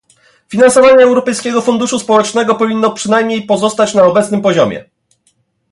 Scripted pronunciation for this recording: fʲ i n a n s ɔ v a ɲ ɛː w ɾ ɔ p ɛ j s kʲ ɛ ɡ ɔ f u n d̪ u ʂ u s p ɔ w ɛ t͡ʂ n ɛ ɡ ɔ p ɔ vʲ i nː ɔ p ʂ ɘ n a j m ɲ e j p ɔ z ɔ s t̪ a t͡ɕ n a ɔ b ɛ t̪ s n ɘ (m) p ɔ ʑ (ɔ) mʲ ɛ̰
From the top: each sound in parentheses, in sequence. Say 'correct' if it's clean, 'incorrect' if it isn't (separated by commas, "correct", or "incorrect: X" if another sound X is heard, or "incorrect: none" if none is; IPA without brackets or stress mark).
correct, correct